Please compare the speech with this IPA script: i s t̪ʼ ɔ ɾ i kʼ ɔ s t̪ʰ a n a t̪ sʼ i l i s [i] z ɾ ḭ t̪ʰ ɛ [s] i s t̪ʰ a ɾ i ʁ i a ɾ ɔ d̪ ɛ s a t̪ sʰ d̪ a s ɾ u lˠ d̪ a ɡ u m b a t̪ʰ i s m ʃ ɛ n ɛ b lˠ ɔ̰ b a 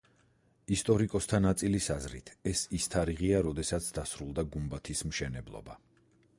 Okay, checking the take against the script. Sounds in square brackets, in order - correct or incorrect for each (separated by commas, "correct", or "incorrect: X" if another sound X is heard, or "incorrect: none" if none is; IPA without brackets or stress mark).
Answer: incorrect: a, correct